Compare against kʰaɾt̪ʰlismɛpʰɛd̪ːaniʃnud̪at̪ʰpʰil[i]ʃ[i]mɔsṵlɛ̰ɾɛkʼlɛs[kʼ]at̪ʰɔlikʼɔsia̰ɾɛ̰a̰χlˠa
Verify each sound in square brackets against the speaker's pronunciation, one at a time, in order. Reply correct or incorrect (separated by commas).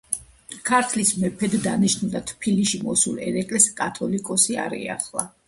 correct, correct, correct